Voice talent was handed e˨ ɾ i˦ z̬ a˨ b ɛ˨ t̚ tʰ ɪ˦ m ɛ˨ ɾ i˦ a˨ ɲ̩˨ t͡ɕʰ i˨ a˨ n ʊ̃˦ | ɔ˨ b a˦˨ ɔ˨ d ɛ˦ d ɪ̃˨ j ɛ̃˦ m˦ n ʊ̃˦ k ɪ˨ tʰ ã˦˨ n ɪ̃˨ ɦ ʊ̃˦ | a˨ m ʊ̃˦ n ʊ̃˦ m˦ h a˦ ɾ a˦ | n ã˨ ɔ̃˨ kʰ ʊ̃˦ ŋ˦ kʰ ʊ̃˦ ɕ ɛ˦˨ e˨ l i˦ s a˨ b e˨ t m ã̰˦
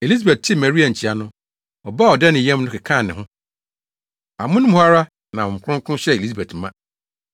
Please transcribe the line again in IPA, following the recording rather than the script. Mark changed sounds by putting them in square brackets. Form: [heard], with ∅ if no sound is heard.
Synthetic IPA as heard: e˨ [l] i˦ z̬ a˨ b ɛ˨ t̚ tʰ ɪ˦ m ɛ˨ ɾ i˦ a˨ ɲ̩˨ t͡ɕʰ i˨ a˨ n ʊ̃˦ | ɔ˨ b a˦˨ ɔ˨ d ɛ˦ [n] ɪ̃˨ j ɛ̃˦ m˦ n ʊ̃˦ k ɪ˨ [kʰ] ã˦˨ n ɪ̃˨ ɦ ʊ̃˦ | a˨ m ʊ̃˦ n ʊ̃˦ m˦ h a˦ ɾ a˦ | n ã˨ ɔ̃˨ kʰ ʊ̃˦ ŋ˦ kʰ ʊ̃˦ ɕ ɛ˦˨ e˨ l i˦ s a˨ b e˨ t m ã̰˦